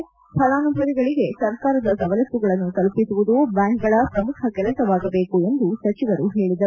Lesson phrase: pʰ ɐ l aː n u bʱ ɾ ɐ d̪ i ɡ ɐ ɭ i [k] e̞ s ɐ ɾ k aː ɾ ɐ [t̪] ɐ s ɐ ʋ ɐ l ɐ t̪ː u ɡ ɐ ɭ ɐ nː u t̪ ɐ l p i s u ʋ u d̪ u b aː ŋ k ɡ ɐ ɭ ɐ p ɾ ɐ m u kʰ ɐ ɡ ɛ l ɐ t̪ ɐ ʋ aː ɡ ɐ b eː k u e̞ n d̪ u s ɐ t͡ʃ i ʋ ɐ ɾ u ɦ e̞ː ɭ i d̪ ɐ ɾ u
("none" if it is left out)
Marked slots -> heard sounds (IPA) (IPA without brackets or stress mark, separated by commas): ɡ, d̪